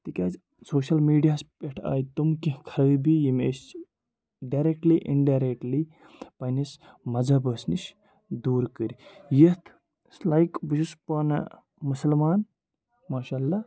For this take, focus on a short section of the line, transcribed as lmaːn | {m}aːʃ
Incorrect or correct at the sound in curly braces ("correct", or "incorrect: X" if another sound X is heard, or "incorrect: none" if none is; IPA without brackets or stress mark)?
correct